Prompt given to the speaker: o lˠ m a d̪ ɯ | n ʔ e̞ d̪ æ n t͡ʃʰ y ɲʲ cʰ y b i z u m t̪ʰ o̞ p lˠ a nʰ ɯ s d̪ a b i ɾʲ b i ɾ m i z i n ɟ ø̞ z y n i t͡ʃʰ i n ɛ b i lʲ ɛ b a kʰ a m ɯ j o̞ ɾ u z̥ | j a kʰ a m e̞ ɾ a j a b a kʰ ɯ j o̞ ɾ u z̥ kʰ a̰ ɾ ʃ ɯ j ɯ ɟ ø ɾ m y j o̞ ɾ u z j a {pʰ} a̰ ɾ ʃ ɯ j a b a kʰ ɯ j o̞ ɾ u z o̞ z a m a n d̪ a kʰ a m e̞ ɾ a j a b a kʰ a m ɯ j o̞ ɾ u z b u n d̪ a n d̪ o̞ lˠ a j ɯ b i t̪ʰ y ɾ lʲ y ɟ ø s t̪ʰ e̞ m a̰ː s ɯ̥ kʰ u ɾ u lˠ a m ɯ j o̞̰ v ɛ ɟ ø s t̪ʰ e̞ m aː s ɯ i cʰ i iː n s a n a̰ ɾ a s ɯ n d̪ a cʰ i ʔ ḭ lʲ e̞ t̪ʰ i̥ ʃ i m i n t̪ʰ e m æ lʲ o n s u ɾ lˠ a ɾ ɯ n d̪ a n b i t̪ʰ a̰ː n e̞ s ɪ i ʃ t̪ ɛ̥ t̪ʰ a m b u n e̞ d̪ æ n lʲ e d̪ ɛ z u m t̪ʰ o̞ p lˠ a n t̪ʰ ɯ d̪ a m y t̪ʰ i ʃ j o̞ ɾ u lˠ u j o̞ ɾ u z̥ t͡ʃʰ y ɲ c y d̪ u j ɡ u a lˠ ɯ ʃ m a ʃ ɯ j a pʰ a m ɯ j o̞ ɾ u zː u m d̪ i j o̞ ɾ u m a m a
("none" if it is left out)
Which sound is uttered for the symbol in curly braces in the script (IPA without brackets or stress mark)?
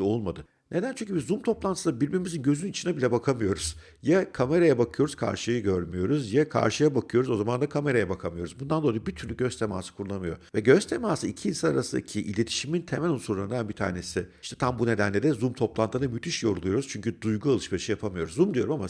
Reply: kʰ